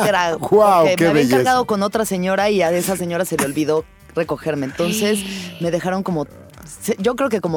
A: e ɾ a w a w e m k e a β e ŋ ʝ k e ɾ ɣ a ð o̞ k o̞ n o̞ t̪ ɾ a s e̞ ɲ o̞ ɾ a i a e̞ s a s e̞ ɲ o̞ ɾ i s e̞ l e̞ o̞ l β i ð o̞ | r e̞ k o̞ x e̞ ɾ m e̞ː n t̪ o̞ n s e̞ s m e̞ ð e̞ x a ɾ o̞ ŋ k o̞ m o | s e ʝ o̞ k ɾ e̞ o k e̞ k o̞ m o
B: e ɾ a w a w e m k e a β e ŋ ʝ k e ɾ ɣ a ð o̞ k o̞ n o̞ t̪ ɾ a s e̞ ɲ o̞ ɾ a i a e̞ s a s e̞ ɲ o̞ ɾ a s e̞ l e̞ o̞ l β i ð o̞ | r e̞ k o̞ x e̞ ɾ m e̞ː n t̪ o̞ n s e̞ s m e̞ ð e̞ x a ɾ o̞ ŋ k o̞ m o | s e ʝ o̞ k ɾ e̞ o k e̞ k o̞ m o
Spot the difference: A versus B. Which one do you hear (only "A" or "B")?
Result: B